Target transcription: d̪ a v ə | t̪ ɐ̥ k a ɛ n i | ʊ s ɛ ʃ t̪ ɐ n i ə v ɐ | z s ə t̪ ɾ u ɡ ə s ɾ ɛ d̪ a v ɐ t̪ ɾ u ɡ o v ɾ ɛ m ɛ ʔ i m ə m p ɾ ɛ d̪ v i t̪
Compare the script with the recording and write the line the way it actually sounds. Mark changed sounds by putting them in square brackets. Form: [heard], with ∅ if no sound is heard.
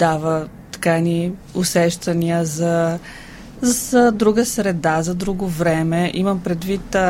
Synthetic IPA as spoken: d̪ a v ə | t̪ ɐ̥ k a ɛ n i | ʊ s ɛ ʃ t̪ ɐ n i ə [z] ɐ | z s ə [d̪] ɾ u ɡ ə s ɾ ɛ d̪ a [z] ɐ [d̪] ɾ u ɡ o v ɾ ɛ m ɛ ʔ i m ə m p ɾ ɛ d̪ v i t̪